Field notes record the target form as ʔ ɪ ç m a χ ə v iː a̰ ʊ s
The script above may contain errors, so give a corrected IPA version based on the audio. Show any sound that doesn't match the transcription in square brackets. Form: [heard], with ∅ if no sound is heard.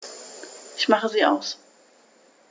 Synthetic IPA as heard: ʔ ɪ ç m a χ ə [z] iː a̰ ʊ s